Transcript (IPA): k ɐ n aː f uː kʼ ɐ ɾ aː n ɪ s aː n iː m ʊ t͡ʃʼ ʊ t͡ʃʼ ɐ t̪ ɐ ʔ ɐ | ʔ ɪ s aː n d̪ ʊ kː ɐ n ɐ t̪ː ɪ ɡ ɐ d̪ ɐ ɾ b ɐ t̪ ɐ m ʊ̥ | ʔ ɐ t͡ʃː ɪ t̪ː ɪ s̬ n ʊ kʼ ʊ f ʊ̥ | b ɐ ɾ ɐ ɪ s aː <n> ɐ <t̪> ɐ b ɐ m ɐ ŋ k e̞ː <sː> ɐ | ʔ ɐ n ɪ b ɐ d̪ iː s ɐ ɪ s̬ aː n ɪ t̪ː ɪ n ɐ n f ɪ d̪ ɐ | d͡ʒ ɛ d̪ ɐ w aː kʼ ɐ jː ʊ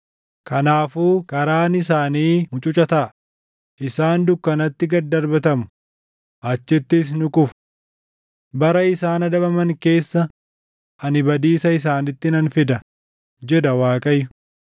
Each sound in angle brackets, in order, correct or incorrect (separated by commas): correct, incorrect, correct